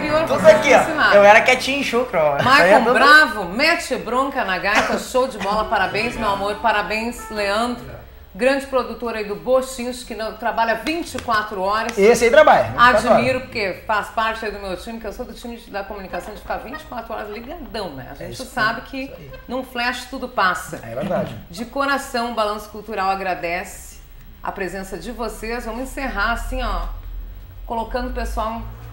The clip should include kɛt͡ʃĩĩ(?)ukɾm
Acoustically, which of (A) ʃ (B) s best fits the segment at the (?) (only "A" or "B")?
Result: A